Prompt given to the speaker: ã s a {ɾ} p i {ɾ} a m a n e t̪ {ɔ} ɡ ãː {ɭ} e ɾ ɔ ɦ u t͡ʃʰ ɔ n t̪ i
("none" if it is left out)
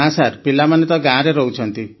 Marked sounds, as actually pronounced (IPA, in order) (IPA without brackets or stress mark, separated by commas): ɾ, l, ɔ, ɾ